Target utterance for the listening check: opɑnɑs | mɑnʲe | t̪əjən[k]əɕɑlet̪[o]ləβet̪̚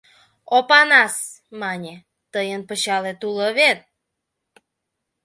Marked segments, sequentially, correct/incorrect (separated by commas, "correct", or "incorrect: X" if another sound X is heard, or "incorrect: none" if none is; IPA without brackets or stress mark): incorrect: p, incorrect: u